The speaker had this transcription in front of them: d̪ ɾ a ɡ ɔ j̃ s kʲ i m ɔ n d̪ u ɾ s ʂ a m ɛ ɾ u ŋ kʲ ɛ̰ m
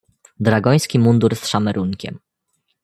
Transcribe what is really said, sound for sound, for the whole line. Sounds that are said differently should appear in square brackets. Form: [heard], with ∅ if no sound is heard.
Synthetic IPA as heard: d̪ ɾ a ɡ ɔ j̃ s kʲ i m [u] n d̪ u ɾ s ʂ a m ɛ ɾ u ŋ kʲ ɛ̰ m